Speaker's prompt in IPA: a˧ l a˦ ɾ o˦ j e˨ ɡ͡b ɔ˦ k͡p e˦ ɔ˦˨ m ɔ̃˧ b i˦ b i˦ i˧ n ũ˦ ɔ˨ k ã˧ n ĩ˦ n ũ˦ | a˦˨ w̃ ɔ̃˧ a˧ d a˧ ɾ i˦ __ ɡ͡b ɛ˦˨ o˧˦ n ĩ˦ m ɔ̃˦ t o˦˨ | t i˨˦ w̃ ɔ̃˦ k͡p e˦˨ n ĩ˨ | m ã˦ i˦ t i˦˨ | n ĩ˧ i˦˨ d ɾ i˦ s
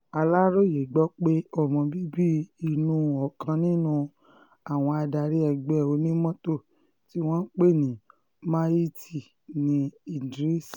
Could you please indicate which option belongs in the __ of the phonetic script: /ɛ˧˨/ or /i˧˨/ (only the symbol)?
ɛ˧˨